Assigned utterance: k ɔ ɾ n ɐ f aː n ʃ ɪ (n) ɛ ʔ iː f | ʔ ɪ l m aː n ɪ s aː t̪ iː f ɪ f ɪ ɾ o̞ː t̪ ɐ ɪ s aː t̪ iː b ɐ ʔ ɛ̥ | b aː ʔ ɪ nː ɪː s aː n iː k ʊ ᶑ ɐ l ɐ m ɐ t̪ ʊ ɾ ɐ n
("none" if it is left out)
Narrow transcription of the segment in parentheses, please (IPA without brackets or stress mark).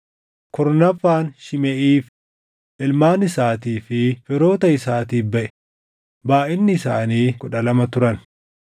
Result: m